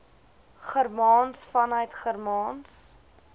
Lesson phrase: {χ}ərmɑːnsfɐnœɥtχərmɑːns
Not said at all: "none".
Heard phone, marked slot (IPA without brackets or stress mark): χ